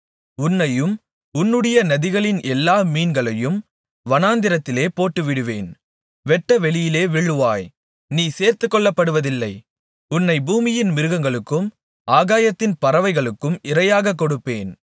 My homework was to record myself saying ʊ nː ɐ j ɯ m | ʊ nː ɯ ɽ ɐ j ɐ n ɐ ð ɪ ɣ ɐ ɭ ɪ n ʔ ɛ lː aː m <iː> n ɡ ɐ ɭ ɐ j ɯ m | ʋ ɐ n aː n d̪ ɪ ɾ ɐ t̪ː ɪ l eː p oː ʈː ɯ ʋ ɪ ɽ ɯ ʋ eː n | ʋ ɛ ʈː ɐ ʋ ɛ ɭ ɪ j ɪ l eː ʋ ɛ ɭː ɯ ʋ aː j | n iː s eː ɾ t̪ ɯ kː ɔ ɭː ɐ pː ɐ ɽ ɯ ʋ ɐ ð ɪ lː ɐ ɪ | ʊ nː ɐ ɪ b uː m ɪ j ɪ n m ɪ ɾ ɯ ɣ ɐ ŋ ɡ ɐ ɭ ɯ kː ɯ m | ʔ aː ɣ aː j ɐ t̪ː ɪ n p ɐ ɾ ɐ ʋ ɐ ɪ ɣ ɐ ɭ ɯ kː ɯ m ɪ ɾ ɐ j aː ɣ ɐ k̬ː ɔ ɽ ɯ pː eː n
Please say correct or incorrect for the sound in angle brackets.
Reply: correct